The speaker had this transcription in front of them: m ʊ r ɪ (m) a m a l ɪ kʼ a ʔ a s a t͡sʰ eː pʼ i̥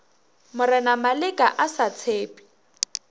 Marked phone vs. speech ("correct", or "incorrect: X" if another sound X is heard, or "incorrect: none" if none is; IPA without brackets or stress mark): incorrect: n